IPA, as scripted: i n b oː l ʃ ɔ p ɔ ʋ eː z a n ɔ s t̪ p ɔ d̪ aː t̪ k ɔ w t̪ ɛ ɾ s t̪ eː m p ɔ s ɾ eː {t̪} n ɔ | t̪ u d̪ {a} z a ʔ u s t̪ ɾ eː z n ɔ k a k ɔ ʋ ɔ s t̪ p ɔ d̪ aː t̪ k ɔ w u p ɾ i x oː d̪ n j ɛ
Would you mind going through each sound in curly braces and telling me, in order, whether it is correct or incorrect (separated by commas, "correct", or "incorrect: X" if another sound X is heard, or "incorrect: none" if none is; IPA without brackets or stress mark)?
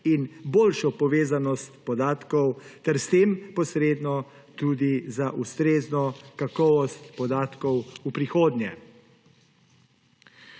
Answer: incorrect: d̪, incorrect: i